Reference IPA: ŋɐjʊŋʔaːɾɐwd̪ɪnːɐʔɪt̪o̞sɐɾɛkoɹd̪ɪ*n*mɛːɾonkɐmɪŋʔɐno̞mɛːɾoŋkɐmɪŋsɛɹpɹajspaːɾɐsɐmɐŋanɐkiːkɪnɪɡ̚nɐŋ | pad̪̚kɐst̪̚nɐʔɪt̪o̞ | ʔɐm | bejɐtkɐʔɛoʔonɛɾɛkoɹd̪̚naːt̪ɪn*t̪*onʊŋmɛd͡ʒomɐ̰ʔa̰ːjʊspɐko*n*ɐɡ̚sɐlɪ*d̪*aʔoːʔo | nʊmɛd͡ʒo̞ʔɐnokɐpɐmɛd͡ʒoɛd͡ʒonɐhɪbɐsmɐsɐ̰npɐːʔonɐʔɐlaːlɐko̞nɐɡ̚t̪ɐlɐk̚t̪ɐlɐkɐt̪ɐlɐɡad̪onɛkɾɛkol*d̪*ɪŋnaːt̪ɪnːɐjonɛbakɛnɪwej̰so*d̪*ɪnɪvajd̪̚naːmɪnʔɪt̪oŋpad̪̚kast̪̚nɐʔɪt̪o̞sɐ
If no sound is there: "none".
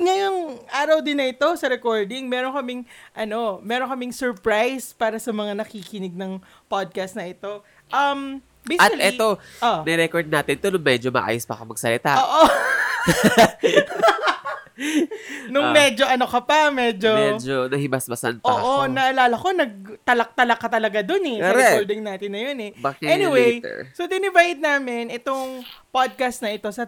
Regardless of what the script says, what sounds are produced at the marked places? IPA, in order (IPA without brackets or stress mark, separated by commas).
ŋ, t̪, m, t̪, d̪, d̪